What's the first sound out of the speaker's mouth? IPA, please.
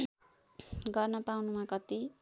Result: ɡ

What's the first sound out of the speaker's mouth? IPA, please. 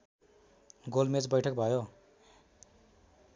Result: ɡ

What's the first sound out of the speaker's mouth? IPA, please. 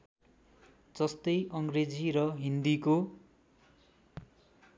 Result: d͡z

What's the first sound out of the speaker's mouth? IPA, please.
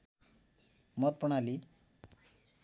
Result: m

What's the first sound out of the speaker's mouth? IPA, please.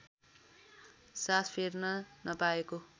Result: s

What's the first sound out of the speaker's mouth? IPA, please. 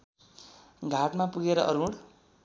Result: ɡʱ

